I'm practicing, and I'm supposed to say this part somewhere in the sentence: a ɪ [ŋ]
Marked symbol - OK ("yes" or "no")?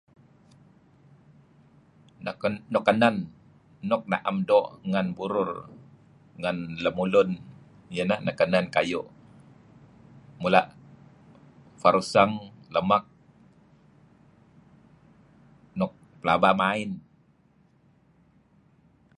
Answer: no